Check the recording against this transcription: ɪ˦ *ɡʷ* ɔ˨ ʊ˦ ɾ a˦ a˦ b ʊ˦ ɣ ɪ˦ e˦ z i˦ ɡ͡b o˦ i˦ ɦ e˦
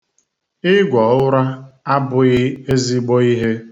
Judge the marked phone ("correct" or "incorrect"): correct